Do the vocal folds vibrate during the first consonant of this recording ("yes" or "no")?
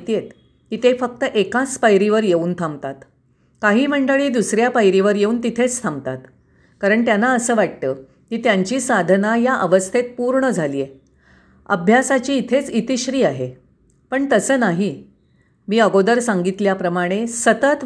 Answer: no